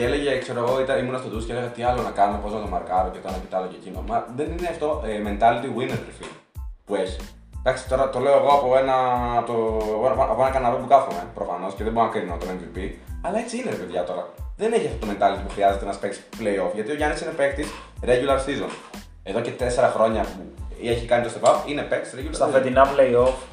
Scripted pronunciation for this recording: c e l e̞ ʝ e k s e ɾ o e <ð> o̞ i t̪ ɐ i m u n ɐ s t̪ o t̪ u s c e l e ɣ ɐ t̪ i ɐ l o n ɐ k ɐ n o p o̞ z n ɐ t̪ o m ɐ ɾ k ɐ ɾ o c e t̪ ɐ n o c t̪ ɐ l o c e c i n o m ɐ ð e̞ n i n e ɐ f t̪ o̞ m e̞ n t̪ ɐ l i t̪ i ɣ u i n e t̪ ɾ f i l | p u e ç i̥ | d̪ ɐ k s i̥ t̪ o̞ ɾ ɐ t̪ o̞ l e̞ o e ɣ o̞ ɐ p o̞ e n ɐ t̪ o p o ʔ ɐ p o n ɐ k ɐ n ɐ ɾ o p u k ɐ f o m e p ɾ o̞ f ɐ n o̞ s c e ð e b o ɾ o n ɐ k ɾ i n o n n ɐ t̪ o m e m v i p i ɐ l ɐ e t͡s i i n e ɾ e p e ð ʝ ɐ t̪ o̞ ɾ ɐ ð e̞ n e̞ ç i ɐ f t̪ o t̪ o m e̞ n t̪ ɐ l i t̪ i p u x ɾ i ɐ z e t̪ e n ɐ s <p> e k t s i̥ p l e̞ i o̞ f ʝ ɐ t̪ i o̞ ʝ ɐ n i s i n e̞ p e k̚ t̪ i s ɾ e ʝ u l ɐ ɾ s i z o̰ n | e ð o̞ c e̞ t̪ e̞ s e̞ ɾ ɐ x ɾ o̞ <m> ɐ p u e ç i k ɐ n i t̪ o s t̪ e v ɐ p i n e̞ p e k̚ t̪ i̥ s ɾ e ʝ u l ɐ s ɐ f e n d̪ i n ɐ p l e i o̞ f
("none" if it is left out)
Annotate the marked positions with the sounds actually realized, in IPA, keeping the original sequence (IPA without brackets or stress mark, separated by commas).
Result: ɣ, p, ɲ